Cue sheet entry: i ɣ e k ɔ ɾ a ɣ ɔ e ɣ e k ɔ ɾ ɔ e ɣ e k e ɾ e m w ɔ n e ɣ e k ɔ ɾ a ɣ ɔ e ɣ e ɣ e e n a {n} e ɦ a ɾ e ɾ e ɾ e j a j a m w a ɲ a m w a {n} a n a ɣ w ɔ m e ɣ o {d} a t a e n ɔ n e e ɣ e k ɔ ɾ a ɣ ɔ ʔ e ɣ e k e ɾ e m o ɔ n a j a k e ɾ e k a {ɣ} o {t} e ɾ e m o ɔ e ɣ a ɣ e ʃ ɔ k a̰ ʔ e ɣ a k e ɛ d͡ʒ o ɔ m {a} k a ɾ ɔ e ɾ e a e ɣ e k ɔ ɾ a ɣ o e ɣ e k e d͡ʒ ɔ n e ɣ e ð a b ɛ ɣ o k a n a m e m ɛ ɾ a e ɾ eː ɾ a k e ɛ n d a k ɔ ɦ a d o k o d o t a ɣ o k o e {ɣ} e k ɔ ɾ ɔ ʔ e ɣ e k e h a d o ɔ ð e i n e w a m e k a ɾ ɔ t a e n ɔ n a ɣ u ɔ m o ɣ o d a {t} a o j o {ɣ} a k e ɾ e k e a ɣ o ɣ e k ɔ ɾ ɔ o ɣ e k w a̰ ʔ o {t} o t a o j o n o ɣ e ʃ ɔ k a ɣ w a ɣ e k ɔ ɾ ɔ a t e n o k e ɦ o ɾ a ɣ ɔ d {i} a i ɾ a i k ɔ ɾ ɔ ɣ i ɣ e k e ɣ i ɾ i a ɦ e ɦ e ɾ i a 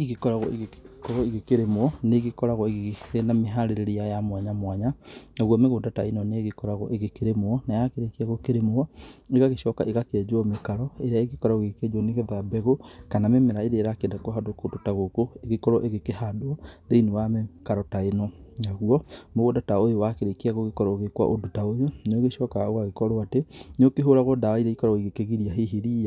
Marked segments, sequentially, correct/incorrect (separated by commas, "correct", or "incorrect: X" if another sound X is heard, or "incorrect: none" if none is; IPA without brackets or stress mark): incorrect: m, incorrect: ɲ, correct, correct, incorrect: k, incorrect: e, correct, correct, incorrect: w, incorrect: d, incorrect: a